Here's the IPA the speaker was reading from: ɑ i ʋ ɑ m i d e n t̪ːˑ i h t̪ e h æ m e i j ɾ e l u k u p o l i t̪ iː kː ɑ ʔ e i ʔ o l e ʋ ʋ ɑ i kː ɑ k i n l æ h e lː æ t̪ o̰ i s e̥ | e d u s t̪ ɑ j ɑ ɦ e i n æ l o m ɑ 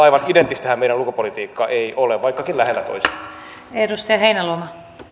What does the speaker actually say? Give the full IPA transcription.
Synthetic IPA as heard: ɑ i ʋ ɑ n i d e n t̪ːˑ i s t̪ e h æ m e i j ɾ æ l u k u p o l i t̪ iː kː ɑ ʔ e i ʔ o l e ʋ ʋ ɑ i kː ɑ k i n l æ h e lː æ t̪ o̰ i s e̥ | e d u s t̪ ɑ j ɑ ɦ e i n æ l o m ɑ